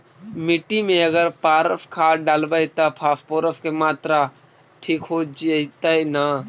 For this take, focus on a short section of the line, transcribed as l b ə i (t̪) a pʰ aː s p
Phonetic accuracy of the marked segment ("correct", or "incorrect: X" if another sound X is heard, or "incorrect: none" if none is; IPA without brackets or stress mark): correct